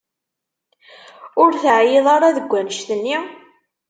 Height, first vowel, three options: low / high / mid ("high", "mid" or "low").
high